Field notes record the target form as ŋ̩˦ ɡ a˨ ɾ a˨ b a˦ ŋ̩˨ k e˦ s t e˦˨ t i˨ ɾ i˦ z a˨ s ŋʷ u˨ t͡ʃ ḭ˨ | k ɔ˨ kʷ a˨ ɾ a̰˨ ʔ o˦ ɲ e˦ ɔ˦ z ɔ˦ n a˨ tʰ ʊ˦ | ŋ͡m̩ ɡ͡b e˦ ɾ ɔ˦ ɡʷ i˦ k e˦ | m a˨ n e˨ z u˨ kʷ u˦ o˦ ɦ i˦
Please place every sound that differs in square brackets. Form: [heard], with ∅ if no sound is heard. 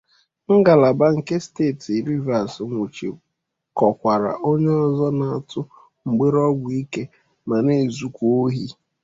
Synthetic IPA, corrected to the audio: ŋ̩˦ ɡ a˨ [l] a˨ b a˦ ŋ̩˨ k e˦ s t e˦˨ t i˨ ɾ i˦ [v] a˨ s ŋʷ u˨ t͡ʃ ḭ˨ | k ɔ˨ kʷ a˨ ɾ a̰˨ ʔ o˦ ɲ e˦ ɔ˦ z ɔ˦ n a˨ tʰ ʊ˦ | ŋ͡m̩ ɡ͡b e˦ ɾ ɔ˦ ɡʷ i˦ k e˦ | m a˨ n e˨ z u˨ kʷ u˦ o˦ ɦ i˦